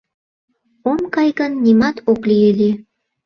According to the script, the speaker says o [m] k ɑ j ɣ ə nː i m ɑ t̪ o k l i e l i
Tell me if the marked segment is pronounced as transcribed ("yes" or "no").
yes